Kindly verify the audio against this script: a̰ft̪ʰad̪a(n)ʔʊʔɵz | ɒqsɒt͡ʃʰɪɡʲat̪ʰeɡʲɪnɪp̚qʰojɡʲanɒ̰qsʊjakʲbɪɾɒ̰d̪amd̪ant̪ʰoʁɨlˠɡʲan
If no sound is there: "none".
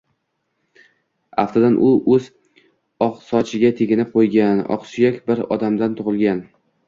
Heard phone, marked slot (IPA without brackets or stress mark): n